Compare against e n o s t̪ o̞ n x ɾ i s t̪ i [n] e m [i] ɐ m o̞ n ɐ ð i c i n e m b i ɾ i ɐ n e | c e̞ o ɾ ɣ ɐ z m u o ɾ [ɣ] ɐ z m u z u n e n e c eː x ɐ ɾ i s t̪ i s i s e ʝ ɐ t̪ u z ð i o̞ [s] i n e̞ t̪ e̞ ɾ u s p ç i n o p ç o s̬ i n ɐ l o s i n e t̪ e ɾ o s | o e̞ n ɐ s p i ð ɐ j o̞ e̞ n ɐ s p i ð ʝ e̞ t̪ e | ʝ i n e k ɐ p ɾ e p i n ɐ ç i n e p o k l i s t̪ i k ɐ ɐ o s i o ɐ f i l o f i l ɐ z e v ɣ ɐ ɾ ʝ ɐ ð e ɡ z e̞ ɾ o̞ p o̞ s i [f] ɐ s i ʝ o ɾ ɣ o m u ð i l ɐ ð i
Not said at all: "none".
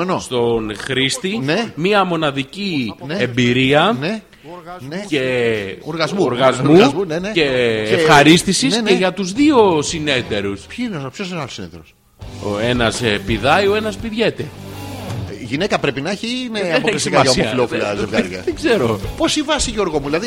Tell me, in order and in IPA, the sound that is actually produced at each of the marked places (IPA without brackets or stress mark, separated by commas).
n, i, ɣ, s, v